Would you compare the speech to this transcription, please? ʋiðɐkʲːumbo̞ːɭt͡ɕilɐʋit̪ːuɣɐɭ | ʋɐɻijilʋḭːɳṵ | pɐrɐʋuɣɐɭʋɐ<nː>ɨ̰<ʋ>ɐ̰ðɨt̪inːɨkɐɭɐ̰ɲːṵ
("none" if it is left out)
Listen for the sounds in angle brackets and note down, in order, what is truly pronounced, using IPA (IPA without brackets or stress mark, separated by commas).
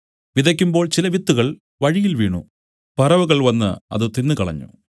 nː, none